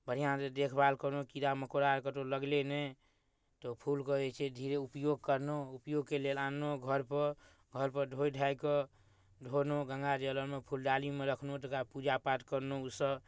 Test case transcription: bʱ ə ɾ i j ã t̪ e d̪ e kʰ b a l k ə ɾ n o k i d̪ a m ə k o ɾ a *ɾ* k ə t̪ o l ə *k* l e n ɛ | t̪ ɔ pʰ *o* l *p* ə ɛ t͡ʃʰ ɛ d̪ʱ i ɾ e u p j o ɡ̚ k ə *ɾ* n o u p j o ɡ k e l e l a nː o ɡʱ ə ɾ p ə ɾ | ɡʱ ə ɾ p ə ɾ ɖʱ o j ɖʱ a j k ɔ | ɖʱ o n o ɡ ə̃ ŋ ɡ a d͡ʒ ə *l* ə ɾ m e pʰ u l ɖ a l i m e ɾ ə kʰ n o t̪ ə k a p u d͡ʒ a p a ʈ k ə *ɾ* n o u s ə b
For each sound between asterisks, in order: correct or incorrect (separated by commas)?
correct, incorrect, incorrect, incorrect, correct, correct, correct